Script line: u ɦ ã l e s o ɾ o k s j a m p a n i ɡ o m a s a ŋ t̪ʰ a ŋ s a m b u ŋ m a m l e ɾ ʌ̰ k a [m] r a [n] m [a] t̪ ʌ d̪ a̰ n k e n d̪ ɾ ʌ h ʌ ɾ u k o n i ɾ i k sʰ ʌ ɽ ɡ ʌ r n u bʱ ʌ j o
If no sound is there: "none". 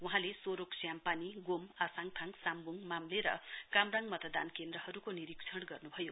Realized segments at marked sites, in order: m, ŋ, ʌ

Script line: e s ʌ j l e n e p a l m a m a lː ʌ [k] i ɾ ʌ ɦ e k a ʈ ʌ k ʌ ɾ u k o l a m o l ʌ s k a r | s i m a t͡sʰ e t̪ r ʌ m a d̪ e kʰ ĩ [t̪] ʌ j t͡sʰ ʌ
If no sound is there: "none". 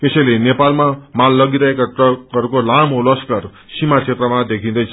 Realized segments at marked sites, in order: ɡ, d̪

